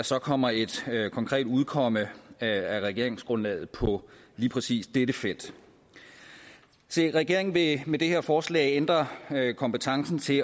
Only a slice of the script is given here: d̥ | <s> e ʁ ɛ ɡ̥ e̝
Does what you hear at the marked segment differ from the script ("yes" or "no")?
no